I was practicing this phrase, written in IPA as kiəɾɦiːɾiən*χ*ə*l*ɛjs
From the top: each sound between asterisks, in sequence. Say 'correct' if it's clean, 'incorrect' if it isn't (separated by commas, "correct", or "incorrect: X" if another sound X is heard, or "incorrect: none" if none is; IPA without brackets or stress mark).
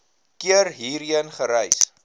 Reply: correct, incorrect: ɾ